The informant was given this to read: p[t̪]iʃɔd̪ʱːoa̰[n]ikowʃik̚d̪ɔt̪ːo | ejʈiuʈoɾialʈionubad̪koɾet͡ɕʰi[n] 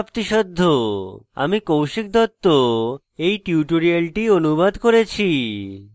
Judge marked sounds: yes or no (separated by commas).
yes, no, no